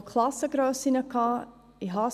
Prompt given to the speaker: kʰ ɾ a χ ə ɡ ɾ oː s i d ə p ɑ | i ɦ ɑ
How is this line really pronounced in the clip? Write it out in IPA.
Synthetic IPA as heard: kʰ l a s ə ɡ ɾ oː s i n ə k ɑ | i ɦ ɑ